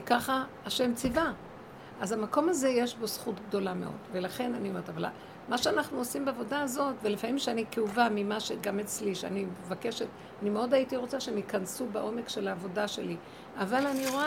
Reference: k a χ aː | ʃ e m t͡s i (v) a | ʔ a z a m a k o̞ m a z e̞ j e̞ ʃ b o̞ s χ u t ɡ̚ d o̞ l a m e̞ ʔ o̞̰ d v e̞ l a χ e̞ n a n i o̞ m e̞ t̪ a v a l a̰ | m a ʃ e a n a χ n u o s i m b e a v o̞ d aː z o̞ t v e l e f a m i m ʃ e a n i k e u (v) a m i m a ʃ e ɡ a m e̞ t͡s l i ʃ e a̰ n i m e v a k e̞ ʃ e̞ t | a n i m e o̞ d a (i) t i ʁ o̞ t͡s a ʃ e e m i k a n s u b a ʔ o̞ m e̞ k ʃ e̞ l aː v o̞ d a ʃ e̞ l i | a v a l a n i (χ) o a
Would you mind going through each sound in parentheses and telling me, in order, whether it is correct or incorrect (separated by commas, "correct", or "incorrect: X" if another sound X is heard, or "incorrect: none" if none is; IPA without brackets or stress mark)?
correct, correct, correct, incorrect: ʁ